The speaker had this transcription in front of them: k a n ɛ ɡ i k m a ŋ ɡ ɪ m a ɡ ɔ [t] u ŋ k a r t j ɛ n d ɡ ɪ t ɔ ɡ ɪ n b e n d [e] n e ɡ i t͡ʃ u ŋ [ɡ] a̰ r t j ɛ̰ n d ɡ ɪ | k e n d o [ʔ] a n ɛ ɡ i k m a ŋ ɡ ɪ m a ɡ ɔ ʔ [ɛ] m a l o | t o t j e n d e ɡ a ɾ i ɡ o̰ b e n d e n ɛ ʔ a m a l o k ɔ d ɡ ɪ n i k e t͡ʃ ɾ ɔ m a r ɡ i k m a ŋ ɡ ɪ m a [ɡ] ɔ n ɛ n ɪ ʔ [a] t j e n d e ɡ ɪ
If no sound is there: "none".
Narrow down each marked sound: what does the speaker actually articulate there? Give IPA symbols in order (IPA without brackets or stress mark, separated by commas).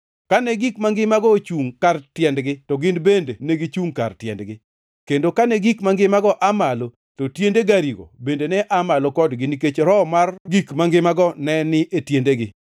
t͡ʃ, e, k, k, a, ɡ, e